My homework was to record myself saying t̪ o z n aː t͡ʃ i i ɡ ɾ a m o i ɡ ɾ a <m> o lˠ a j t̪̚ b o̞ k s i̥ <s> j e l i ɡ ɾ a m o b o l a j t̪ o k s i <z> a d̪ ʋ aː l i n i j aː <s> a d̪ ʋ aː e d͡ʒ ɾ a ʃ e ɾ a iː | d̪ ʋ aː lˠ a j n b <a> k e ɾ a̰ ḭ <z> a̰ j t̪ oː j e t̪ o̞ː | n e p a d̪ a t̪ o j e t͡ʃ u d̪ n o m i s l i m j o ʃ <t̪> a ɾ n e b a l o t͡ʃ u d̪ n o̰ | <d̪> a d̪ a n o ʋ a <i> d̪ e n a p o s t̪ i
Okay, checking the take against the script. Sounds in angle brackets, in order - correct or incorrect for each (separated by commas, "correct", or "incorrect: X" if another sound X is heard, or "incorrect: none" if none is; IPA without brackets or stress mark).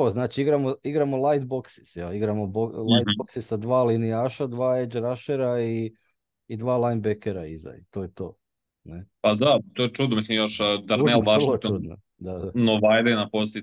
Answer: correct, correct, incorrect: s, incorrect: ʃ, incorrect: e, correct, incorrect: d̪, correct, incorrect: j